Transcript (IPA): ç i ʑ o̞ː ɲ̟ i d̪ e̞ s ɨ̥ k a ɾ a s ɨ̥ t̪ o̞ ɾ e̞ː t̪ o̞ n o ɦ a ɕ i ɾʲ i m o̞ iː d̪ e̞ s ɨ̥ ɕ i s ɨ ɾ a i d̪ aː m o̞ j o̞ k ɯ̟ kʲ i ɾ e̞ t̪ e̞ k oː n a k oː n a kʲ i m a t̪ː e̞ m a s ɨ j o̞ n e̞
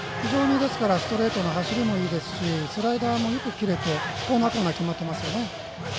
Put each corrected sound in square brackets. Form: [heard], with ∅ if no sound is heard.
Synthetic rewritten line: ç i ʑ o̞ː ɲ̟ i d̪ e̞ s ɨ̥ k a ɾ a s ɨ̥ t̪ o̞ ɾ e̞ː t̪ o̞ n o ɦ a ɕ i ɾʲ i m o̞ iː d̪ e̞ s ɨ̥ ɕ i s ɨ ɾ a i d̪ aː m o̞ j o̞ k ɯ̟ kʲ i ɾ e̞ t̪ e̞ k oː n a k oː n a kʲ i m a t̪ː e̞ m a s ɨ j o̞ n e̞